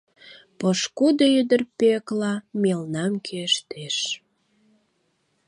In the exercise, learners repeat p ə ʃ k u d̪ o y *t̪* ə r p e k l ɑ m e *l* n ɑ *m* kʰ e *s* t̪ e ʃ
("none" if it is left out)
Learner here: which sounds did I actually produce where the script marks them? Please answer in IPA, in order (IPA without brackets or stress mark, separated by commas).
d̪, l, m, ʃ